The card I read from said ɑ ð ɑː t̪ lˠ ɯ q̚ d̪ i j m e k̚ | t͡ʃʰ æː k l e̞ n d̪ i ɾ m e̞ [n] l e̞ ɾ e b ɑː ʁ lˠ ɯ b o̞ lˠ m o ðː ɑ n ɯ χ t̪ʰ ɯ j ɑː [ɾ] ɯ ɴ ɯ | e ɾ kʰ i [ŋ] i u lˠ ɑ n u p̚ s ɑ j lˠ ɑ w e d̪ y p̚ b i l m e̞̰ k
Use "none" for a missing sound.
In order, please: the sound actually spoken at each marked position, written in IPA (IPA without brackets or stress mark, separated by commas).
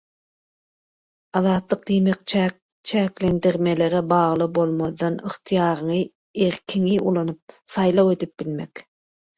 none, ɾ, ŋ